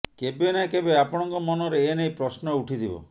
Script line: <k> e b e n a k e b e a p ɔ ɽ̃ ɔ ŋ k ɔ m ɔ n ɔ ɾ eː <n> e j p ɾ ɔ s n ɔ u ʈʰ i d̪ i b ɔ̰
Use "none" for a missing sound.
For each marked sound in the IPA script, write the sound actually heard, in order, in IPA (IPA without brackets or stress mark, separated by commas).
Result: k, n